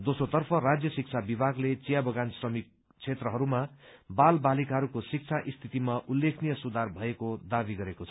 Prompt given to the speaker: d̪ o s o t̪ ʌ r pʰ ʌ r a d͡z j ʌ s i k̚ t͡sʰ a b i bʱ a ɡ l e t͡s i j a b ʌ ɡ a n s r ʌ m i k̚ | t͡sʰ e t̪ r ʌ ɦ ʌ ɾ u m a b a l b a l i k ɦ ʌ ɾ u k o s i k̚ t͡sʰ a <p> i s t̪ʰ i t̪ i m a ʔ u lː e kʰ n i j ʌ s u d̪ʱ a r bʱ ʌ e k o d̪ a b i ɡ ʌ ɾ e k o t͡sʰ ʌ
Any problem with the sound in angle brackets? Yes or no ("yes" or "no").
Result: yes